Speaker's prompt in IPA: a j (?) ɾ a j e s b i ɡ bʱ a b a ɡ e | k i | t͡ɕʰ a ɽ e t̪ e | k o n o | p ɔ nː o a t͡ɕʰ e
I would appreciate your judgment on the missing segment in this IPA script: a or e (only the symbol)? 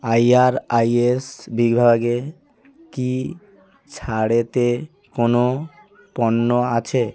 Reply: a